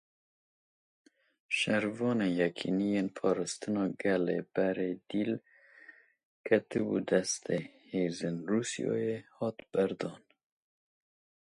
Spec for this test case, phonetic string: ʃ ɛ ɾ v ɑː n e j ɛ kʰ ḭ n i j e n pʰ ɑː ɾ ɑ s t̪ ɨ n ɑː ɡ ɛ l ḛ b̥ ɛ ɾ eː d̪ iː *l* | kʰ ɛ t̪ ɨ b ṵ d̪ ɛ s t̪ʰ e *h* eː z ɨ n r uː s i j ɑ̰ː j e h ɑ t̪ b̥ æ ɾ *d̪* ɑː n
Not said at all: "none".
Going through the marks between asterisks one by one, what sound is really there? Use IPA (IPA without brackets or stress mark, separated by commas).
l, h, d̪